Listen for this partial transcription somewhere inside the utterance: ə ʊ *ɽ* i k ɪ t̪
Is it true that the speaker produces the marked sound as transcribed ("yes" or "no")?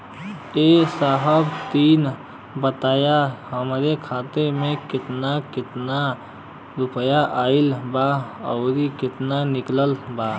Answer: no